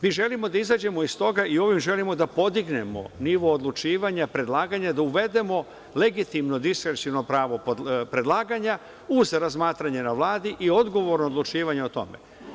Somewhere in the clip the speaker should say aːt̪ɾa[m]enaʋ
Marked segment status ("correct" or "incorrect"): incorrect